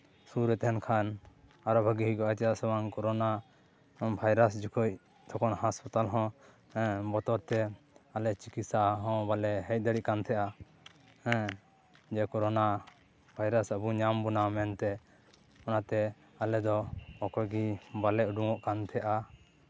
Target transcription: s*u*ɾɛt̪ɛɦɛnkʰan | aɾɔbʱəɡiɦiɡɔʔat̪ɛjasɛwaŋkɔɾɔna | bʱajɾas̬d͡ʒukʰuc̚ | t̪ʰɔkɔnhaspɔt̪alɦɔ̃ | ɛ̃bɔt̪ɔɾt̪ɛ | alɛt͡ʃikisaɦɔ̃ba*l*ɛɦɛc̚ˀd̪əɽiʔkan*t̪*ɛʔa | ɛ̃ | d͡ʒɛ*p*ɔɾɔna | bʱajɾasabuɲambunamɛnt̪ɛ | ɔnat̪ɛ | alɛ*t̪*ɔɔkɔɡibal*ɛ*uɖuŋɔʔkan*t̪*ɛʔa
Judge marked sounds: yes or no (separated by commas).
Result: yes, yes, no, no, no, yes, no